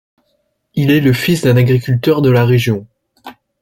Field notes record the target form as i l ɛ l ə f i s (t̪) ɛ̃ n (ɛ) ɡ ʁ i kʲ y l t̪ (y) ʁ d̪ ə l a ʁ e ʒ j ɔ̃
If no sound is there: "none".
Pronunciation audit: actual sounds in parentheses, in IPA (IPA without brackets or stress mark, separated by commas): d̪, a, œ